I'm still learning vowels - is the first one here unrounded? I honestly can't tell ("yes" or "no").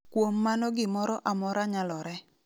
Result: no